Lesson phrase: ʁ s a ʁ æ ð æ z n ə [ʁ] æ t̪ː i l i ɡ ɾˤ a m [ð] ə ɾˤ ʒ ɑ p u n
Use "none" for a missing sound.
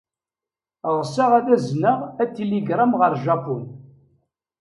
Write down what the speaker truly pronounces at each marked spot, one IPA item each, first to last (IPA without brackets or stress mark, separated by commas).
ʁ, ʁ